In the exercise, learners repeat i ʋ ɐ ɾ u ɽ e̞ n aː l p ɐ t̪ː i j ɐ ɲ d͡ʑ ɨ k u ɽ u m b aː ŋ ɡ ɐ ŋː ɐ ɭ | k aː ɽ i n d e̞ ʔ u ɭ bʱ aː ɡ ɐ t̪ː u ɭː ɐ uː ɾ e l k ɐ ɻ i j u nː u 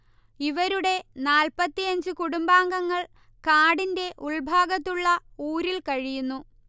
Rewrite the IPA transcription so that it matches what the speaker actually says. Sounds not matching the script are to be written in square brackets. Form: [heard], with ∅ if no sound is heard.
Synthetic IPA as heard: i ʋ ɐ ɾ u ɽ e̞ n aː l p ɐ t̪ː i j ɐ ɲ d͡ʑ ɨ k u ɽ u m b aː ŋ ɡ ɐ ŋː ɐ ɭ | k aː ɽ i n d e̞ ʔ u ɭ bʱ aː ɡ ɐ t̪ː u ɭː ɐ uː ɾ [i] l k ɐ ɻ i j u nː u

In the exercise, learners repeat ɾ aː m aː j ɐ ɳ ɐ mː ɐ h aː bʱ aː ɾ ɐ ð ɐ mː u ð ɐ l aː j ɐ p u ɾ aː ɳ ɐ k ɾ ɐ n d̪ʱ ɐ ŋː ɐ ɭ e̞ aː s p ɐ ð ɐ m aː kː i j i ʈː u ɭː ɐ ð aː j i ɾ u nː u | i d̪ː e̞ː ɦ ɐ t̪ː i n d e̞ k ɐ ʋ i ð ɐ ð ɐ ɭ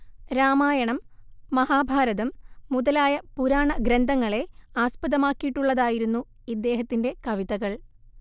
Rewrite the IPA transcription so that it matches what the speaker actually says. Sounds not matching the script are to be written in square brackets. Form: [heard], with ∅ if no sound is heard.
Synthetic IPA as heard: ɾ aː m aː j ɐ ɳ ɐ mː ɐ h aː bʱ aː ɾ ɐ ð ɐ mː u ð ɐ l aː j ɐ p u ɾ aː ɳ ɐ [ɡ] ɾ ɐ n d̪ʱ ɐ ŋː ɐ ɭ e̞ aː s p ɐ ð ɐ m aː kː i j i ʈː u ɭː ɐ ð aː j i ɾ u nː u | i d̪ː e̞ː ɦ ɐ t̪ː i n d e̞ k ɐ ʋ i ð ɐ [ɣ] ɐ ɭ

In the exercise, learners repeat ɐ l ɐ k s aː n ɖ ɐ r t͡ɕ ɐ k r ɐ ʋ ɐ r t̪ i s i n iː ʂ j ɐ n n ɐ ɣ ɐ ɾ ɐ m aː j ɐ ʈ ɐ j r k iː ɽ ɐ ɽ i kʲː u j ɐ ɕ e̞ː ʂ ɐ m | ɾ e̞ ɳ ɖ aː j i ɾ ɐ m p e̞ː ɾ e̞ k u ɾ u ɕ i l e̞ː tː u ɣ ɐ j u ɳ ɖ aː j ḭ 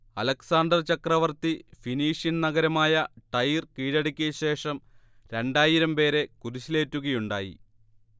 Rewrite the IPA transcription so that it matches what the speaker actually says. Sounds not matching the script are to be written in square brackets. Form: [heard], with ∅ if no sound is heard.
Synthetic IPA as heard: ɐ l ɐ k s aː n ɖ ɐ r t͡ɕ ɐ k r ɐ ʋ ɐ r t̪ i [f] i n iː ʂ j ɐ n n ɐ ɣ ɐ ɾ ɐ m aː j ɐ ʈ ɐ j r k iː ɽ ɐ ɽ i kʲː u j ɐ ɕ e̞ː ʂ ɐ m | ɾ e̞ ɳ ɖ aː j i ɾ ɐ m p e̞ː ɾ e̞ k u ɾ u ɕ i l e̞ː tː u ɣ ɐ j u ɳ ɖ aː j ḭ

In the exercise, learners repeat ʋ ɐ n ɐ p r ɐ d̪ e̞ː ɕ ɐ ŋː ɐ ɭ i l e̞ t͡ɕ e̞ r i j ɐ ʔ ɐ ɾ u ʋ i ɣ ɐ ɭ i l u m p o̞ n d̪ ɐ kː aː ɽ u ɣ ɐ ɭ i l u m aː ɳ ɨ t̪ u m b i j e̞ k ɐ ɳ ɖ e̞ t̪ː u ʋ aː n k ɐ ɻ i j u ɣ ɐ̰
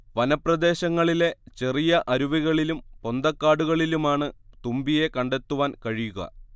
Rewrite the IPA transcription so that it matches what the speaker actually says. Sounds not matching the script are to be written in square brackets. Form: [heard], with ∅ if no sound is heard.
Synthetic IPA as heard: ʋ ɐ n ɐ p r ɐ d̪ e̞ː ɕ ɐ ŋː ɐ ɭ i l e̞ t͡ɕ e̞ r i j ɐ ʔ ɐ ɾ u ʋ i ɣ ɐ ɭ i l u m p o̞ n d̪ ɐ kː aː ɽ u ɣ ɐ ɭ i l u m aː ɳ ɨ t̪ u m b i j e̞ k ɐ ɳ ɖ e̞ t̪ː u ʋ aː n k ɐ ɻ i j u ɣ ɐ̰

